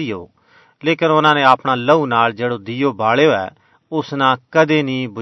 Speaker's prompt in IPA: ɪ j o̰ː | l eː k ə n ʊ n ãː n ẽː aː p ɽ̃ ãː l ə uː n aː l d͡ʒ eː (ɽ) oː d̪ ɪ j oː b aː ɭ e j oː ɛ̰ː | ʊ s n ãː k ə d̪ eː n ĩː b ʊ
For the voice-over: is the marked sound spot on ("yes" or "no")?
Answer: yes